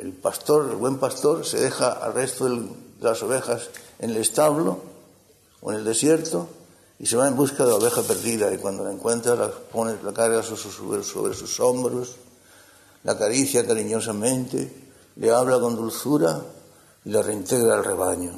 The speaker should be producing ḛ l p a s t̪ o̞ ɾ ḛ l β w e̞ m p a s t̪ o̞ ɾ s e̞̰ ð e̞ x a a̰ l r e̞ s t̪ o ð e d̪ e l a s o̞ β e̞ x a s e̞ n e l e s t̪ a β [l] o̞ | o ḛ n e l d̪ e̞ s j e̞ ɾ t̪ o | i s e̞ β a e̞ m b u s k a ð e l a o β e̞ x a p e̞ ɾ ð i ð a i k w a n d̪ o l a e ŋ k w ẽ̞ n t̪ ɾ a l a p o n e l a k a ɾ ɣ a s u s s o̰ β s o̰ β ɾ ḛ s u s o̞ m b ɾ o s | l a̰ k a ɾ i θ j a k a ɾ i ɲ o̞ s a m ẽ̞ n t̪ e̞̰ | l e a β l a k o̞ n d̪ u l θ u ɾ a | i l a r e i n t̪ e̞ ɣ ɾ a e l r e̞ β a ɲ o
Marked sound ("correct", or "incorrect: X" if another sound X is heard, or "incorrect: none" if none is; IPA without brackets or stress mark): correct